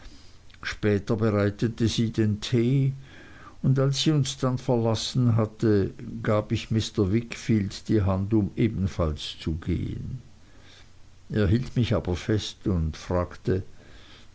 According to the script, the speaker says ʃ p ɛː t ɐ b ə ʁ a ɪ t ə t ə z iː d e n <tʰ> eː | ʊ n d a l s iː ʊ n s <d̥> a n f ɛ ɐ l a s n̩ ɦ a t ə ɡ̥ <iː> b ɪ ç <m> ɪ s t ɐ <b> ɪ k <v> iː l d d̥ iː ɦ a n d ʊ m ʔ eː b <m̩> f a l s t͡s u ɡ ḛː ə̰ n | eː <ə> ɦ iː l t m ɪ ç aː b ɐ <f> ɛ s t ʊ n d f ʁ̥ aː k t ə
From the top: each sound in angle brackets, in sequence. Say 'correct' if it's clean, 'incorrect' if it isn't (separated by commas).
correct, correct, incorrect, correct, incorrect, incorrect, incorrect, incorrect, correct